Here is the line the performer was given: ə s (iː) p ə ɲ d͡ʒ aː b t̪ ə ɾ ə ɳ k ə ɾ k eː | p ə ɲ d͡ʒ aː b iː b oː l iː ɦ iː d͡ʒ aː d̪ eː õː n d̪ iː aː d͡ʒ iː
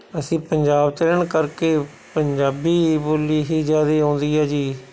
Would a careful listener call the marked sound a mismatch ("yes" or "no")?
yes